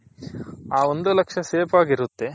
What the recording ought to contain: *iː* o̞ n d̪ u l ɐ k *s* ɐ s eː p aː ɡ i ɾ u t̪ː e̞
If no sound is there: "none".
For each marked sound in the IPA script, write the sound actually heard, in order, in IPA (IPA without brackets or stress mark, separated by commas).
aː, ʂ